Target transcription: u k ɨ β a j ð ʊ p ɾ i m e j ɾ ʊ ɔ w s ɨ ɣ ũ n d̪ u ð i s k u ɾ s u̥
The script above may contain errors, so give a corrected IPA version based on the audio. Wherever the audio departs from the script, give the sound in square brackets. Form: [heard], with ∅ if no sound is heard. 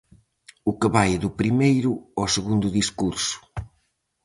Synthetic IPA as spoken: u k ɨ β a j ð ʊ p ɾ i m e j ɾ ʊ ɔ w s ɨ ɣ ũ n d̪ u ð i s k u ɾ s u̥